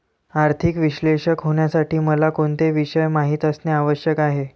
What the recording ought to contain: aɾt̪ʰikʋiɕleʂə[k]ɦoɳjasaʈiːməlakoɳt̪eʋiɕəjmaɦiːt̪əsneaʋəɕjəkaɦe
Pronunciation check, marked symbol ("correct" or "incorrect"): correct